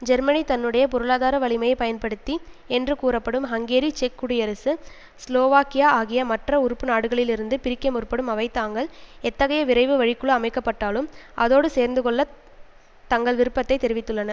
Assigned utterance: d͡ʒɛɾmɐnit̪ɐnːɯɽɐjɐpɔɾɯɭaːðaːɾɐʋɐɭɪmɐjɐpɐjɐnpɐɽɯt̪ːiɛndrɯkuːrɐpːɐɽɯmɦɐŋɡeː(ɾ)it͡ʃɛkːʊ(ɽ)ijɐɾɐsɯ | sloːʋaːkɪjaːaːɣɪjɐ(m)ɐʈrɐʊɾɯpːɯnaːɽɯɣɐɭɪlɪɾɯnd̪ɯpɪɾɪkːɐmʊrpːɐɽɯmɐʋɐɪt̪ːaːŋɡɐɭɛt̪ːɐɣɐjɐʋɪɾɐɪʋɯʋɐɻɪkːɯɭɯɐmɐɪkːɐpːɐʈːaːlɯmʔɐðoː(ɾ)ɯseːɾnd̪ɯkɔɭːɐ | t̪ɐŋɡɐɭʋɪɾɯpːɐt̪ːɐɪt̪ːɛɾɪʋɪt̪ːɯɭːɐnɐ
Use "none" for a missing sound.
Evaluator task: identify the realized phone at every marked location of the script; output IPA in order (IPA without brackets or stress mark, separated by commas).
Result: ɾ, ɽ, m, ɽ